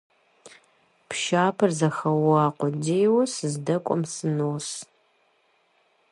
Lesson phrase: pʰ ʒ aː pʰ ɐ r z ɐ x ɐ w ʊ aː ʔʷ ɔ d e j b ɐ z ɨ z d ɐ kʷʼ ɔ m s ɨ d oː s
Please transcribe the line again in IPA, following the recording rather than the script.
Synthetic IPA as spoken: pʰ ʃ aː pʰ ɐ r z ɐ x ɐ w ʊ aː qʷ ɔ d e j w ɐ s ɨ z d ɐ kʷʼ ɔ m s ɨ n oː s

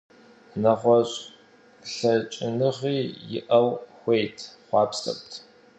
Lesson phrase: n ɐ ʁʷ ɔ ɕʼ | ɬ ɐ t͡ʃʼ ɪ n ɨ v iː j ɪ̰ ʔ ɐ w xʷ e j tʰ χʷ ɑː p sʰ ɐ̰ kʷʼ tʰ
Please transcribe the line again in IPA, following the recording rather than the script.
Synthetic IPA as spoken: n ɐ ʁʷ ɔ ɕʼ | ɬ ɐ t͡ʃʼ ɪ n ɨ ʁ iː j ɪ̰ ʔ ɐ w xʷ e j tʰ χʷ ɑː p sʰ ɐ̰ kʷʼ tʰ

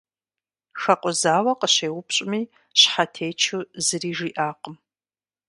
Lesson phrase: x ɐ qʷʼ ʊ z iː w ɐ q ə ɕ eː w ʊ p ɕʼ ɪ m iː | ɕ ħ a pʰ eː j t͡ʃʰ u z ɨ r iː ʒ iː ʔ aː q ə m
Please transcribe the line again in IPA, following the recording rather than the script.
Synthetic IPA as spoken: x ɐ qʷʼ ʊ z aː w ɐ q ə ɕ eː w ʊ p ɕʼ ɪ m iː | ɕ ħ a tʰ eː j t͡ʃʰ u z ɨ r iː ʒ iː ʔ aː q ə m

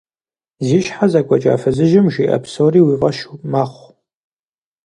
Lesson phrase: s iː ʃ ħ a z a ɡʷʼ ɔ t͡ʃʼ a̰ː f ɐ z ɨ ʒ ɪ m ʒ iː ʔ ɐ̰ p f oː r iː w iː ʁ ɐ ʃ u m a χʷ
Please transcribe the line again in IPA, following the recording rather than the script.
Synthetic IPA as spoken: z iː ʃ ħ a z a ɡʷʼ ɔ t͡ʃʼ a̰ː f ɐ z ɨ ʒ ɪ m ʒ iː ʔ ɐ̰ p s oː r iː w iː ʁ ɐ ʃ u m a χʷ

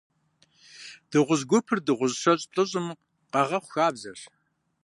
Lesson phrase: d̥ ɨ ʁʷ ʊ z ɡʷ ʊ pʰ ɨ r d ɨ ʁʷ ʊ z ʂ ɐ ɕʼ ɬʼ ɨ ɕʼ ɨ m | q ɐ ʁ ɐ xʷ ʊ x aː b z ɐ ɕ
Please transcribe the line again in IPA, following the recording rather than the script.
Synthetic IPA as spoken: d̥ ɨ ʁʷ ʊ z ɡʷ ʊ pʰ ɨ r d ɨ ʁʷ ʊ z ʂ ɐ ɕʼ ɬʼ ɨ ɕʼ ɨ m | q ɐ ʁ ɐ χʷ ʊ x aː b z ɐ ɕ

